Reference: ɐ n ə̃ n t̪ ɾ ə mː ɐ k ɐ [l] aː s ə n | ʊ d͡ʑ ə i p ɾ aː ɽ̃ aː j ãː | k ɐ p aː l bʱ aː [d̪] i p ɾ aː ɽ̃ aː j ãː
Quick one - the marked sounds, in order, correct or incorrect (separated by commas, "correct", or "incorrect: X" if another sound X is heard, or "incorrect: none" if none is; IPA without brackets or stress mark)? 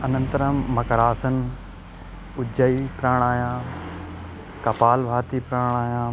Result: incorrect: ɾ, incorrect: t̪